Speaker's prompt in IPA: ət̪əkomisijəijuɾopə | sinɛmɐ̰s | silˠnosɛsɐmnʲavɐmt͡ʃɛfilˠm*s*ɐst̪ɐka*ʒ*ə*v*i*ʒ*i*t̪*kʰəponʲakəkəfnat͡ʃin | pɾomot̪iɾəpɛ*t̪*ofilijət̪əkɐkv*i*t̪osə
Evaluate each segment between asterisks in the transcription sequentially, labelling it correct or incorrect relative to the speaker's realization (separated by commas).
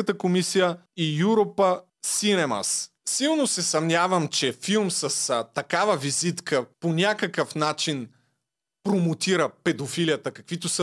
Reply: correct, incorrect, correct, incorrect, correct, incorrect, correct